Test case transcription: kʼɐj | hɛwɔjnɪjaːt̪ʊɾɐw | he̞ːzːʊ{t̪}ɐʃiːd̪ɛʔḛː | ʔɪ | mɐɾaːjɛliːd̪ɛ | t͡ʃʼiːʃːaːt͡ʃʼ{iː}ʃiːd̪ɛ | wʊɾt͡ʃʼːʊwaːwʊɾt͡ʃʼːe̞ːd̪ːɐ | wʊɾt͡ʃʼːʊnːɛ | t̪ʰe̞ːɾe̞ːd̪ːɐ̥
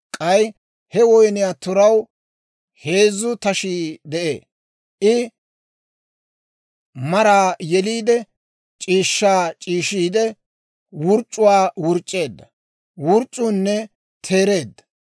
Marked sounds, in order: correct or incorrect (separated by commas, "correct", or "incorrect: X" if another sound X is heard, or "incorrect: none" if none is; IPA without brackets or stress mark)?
correct, correct